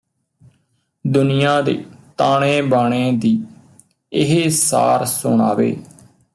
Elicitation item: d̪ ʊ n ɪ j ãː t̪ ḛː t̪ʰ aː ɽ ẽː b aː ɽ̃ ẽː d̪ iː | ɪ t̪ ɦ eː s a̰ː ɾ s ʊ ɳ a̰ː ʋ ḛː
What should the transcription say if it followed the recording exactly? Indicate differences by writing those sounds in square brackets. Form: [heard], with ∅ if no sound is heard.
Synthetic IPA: d̪ ʊ n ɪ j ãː [d̪] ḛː [t̪] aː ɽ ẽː b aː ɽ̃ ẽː d̪ iː | ɪ [∅] ɦ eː s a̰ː ɾ s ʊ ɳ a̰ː ʋ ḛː